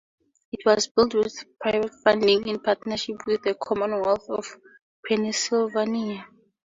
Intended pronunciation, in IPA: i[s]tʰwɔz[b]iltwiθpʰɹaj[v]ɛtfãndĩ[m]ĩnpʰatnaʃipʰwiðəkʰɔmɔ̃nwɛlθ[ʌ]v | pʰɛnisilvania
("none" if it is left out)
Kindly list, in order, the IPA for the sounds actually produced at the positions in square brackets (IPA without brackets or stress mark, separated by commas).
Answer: none, b, v, ŋ, ɔ